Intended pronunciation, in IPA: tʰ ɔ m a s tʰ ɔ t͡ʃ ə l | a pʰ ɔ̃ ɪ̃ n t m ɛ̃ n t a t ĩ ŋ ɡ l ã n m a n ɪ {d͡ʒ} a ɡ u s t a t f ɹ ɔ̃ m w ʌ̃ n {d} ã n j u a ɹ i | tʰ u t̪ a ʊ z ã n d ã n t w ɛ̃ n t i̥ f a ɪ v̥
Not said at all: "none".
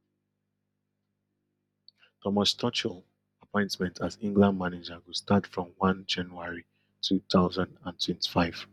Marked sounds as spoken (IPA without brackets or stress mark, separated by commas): d͡ʒ, d͡ʒ